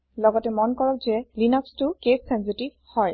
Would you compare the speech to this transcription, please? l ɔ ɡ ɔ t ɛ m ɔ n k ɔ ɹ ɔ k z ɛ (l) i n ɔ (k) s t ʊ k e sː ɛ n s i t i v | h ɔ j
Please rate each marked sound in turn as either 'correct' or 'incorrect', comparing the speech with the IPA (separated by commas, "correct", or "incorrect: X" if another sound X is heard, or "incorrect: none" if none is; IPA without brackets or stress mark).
correct, correct